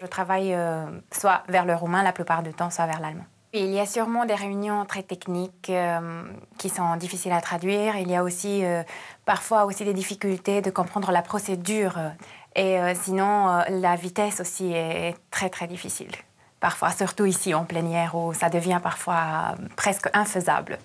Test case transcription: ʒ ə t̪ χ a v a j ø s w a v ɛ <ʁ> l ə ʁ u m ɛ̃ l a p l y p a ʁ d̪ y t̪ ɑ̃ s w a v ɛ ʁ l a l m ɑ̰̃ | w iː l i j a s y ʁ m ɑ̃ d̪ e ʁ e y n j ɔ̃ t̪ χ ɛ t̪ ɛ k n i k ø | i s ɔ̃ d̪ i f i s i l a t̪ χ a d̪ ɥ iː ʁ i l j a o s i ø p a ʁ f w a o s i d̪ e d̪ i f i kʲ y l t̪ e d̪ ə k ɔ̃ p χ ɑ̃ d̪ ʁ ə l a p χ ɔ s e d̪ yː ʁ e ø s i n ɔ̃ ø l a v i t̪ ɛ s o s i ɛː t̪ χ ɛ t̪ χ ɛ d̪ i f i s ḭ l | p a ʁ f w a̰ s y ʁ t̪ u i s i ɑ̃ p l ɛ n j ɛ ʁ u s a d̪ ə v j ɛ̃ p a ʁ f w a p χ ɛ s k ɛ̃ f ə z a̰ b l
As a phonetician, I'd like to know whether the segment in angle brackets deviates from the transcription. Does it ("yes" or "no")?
no